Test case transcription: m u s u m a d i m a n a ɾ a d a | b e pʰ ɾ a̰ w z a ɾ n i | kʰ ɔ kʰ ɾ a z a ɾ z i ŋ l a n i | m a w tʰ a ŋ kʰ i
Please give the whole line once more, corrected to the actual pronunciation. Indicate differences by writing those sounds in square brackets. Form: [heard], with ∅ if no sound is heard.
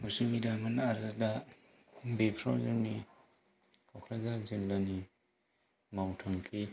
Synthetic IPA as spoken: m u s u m [i] d [a] m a n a ɾ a d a | b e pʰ ɾ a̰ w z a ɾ n i | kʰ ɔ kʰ ɾ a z a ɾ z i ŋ l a n i | m a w tʰ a ŋ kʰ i